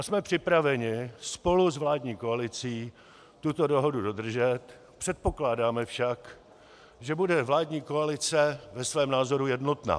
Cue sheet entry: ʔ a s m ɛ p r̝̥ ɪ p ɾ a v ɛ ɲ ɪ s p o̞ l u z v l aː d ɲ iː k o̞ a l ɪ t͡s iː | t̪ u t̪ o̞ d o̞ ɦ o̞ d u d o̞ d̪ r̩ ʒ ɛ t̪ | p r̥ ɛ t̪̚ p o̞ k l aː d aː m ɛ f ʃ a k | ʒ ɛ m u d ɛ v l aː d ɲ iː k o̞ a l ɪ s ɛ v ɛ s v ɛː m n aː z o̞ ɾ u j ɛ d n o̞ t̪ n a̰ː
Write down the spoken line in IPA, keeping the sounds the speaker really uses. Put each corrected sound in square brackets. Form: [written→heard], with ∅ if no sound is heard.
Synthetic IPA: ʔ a s m ɛ p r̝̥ ɪ p ɾ a v ɛ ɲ ɪ s p o̞ l u z v l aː d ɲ iː k o̞ a l ɪ t͡s iː | t̪ u t̪ o̞ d o̞ ɦ o̞ d u d o̞ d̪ r̩ ʒ ɛ t̪ | p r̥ ɛ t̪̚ p o̞ k l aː d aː m ɛ f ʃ a k | ʒ ɛ [m→b] u d ɛ v l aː d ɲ iː k o̞ a l ɪ [s→t͡s] ɛ v ɛ s v ɛː m n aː z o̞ ɾ u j ɛ d n o̞ t̪ n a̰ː